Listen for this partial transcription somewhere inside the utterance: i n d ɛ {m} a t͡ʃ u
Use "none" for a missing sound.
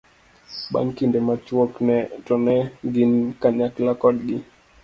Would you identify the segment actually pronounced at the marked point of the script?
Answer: m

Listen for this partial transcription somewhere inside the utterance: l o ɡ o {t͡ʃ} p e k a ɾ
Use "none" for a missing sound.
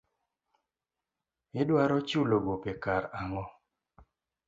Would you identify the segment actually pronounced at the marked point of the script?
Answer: none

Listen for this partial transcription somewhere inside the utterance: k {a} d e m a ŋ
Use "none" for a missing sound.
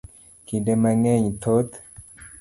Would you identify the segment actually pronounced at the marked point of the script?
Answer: i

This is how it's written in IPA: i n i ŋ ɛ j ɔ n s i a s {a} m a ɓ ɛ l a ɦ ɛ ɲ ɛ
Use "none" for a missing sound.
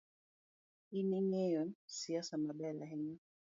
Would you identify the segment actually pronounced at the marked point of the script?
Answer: a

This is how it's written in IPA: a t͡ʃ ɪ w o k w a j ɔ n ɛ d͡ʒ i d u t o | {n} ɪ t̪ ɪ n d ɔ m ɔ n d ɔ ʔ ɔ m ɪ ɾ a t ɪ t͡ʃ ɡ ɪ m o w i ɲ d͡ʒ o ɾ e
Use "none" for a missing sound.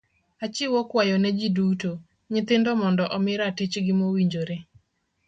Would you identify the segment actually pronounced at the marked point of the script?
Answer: ɲ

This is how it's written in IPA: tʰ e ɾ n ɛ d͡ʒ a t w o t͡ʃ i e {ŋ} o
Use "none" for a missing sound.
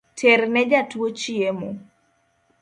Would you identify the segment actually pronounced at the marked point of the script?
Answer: m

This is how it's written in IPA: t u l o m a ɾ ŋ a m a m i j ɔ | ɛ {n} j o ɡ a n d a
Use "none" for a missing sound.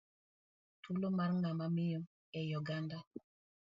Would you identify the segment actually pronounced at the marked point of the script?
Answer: none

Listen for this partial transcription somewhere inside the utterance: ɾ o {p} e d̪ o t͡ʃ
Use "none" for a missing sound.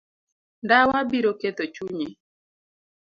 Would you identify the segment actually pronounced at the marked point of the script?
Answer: k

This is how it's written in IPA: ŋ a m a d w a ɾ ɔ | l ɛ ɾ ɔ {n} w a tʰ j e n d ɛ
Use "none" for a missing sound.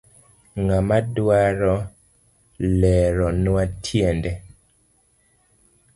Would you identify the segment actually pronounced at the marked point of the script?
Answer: n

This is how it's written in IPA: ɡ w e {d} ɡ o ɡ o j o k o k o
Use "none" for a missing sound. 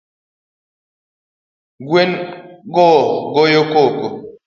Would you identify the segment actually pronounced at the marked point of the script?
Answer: n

